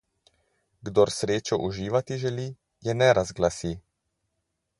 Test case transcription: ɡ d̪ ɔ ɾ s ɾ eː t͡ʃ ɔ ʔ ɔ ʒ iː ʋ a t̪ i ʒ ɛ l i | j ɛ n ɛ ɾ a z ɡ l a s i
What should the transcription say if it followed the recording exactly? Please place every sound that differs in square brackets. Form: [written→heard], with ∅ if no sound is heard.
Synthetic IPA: ɡ d̪ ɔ ɾ s ɾ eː t͡ʃ ɔ ʔ [ɔ→u] ʒ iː ʋ a t̪ i ʒ ɛ l i | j ɛ n ɛ ɾ a z ɡ l a s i